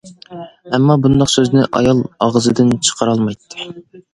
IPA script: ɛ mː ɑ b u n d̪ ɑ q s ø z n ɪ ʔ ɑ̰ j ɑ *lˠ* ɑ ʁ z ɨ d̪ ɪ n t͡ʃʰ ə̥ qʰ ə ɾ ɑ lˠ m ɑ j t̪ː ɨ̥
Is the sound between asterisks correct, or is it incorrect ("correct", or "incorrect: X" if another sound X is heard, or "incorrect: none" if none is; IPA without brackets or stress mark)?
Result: correct